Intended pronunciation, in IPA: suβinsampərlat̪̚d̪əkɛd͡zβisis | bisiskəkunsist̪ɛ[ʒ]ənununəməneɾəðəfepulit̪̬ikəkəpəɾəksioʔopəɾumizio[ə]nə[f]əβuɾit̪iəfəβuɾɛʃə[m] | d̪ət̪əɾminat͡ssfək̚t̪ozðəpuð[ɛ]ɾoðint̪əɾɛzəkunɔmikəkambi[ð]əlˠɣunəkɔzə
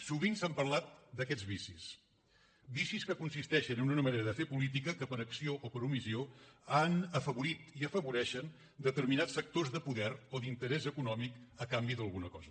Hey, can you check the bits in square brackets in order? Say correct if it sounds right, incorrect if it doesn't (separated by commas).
incorrect, incorrect, correct, incorrect, correct, correct